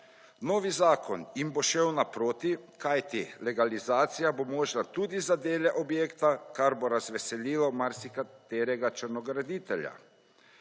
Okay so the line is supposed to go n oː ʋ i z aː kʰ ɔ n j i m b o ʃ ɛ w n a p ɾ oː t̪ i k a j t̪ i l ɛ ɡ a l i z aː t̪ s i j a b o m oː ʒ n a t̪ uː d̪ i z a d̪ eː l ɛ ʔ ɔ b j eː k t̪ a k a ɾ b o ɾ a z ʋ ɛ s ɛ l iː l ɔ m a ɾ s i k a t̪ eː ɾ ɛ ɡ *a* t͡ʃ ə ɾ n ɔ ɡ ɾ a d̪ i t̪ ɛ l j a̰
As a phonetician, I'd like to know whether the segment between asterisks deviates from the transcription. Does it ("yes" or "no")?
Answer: no